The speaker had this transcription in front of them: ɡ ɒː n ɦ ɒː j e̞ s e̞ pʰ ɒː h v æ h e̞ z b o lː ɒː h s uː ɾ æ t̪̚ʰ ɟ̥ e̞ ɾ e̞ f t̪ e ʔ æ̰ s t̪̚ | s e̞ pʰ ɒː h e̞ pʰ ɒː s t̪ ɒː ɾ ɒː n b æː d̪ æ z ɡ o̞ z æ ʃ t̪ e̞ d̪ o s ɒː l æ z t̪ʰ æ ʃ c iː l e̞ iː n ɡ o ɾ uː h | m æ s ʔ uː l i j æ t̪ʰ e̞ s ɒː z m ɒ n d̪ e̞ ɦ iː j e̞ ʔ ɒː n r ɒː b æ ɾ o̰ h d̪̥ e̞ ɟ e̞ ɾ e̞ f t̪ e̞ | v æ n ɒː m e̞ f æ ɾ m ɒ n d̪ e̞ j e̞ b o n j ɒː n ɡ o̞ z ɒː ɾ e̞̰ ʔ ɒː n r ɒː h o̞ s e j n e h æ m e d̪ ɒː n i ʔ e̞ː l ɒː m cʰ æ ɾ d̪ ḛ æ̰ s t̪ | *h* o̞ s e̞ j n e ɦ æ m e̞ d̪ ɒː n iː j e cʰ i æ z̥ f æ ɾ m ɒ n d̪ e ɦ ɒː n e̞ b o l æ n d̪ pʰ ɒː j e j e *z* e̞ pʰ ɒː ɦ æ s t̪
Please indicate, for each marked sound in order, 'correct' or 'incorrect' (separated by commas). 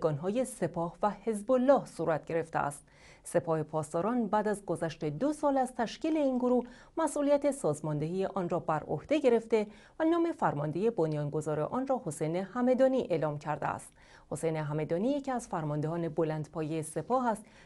correct, incorrect